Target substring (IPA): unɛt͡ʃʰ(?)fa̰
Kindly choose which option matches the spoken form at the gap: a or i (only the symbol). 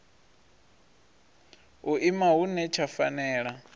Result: a